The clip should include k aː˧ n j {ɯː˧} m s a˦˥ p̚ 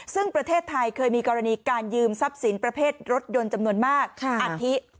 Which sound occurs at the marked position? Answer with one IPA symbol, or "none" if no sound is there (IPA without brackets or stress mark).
ɯː˧